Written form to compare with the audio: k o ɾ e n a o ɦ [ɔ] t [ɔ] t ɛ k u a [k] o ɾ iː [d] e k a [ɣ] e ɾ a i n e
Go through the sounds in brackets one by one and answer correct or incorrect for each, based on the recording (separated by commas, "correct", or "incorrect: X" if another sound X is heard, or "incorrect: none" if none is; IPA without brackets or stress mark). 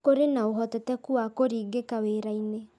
correct, correct, correct, incorrect: ɡ, incorrect: w